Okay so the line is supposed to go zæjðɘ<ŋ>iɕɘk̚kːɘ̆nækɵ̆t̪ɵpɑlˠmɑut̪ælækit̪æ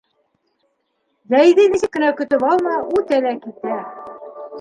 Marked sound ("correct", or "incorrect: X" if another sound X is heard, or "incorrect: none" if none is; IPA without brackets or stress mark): incorrect: n